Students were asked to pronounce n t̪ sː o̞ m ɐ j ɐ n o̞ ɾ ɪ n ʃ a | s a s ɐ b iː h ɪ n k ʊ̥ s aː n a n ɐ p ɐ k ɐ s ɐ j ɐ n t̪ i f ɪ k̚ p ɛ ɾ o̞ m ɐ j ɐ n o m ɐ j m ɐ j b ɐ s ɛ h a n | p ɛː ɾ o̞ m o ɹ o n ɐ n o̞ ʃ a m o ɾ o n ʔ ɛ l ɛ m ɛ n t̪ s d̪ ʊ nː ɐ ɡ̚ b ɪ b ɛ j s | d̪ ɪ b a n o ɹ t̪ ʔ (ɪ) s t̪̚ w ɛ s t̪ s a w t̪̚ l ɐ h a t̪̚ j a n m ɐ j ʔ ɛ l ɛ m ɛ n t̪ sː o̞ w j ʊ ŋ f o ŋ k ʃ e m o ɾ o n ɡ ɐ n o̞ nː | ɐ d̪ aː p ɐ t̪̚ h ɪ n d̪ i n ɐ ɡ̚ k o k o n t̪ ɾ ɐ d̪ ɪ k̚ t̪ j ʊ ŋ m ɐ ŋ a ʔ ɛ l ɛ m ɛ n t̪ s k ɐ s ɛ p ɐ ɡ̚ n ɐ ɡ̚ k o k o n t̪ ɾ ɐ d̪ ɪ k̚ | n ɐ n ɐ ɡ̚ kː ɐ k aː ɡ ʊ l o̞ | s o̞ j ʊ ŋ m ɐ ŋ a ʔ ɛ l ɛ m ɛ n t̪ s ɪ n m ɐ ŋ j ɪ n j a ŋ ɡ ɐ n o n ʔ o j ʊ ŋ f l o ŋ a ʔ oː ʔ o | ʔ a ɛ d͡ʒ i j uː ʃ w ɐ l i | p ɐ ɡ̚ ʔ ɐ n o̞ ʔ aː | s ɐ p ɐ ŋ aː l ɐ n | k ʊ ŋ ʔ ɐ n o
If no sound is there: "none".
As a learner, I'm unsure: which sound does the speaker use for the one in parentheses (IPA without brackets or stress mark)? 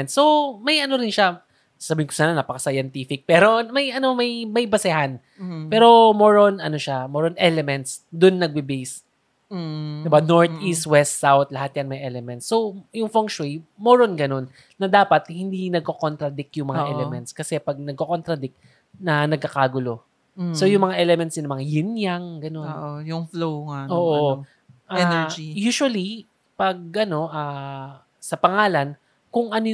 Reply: i